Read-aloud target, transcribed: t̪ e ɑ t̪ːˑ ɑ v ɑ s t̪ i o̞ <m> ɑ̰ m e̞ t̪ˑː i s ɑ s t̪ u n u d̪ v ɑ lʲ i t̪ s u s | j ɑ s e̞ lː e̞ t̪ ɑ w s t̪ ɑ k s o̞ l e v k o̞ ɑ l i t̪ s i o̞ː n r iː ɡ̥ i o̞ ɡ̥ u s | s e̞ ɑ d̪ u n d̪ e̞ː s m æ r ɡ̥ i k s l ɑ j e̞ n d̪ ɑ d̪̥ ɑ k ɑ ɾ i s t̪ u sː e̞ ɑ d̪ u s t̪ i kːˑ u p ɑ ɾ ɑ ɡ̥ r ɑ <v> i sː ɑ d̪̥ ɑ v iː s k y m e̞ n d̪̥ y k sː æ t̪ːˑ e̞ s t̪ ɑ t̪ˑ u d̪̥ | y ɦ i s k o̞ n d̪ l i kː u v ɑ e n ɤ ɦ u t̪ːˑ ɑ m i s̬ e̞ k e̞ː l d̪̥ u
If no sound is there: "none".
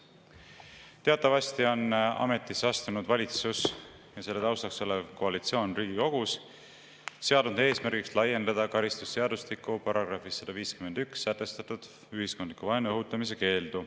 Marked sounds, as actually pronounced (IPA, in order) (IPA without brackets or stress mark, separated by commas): n, f